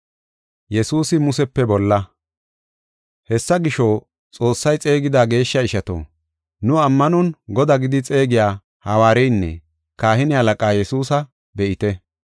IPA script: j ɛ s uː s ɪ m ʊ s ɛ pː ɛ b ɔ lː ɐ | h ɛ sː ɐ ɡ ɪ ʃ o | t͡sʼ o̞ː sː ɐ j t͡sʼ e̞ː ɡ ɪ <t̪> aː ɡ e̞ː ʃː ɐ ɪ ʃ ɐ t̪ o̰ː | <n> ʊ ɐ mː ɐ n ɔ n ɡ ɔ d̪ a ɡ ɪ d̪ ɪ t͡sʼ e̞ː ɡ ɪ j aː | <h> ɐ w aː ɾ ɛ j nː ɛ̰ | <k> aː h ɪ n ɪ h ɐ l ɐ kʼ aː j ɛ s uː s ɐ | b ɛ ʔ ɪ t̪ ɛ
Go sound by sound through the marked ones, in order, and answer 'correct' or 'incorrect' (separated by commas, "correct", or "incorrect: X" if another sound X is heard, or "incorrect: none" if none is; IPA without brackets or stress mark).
incorrect: d̪, correct, correct, correct